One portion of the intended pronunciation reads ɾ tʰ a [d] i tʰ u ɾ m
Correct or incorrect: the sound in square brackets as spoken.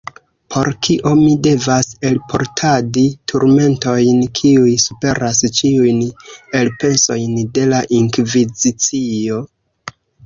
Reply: correct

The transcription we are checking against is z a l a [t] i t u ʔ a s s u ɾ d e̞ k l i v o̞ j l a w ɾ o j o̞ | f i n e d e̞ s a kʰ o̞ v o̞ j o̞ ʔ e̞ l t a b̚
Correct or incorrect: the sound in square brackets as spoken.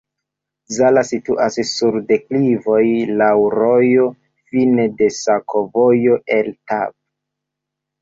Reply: incorrect: s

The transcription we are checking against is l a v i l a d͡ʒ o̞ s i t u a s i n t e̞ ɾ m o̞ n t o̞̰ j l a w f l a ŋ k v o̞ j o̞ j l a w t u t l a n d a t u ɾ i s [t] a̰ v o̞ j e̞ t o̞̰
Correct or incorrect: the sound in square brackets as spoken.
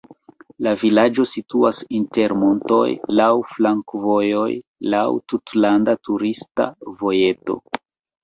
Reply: correct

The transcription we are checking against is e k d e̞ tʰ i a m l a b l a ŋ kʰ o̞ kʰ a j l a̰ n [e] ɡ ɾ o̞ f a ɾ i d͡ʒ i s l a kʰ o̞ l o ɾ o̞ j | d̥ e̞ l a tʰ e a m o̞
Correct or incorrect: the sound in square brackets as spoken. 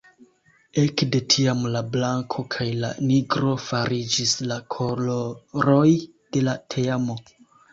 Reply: incorrect: i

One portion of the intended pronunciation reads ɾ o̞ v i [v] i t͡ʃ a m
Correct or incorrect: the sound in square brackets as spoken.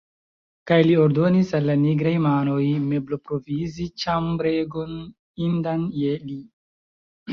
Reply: incorrect: z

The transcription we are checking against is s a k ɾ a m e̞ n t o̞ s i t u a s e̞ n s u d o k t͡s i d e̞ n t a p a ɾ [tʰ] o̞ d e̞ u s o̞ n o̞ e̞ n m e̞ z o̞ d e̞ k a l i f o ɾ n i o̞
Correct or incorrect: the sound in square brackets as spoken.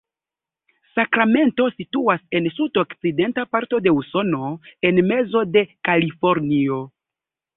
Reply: incorrect: t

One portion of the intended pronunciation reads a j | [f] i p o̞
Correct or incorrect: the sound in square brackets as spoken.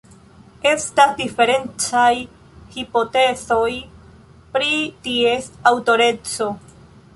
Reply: incorrect: h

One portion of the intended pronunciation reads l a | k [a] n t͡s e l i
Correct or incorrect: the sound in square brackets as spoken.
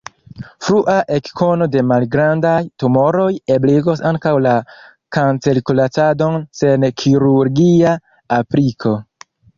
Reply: correct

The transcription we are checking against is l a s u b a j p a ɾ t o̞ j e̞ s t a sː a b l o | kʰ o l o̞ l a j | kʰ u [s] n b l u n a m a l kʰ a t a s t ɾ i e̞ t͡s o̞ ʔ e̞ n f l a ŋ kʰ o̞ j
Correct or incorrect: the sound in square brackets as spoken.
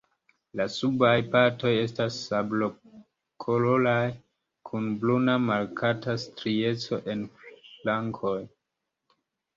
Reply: incorrect: none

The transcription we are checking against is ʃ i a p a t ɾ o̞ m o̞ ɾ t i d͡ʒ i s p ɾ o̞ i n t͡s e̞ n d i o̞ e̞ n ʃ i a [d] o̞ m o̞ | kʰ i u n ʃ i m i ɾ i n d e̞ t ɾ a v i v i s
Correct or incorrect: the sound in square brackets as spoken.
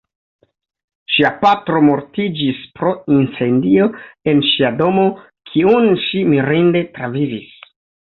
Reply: correct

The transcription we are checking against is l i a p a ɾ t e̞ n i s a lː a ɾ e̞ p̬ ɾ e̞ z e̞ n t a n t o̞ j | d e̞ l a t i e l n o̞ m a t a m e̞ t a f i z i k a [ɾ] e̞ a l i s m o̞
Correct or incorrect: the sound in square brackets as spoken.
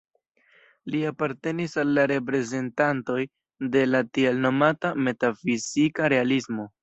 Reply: correct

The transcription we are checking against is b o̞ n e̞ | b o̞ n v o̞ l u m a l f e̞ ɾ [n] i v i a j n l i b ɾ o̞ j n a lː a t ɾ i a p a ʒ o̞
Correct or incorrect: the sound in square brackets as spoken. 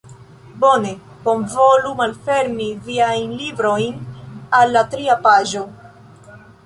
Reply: incorrect: m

